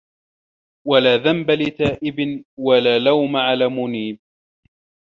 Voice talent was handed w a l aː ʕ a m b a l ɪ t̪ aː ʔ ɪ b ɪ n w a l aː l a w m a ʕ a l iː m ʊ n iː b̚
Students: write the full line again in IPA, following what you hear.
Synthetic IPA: w a l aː ð a m b a l ɪ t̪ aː ʔ ɪ b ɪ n w a l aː l a w m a ʕ a l aː m ʊ n iː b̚